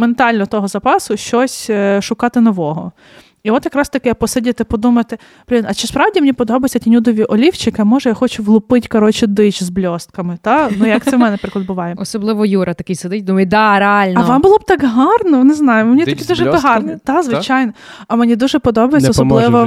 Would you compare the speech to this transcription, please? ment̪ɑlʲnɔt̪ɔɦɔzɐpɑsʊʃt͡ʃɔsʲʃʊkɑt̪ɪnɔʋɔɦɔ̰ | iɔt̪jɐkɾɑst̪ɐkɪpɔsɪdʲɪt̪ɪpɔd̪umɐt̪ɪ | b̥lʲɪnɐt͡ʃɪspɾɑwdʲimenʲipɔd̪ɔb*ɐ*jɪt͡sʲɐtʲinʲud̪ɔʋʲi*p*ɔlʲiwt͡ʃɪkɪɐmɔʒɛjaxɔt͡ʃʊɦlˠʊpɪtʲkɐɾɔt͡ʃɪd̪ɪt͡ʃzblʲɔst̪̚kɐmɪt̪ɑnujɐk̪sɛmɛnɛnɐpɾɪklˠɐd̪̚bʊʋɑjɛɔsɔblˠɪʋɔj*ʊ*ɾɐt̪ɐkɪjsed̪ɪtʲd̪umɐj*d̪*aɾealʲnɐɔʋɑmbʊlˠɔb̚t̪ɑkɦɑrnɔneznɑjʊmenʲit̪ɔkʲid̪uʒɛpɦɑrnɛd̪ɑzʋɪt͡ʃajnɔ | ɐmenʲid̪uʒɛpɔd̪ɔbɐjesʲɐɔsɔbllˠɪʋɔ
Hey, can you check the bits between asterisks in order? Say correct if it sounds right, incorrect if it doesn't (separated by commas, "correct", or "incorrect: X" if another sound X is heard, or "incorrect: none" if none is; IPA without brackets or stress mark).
correct, incorrect: ʔ, incorrect: u, correct